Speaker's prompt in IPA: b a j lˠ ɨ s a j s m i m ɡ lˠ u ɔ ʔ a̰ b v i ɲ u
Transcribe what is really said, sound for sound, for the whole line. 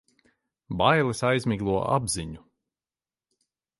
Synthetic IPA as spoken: b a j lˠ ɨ s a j z m i ɡ lˠ u ɔ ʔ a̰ b z i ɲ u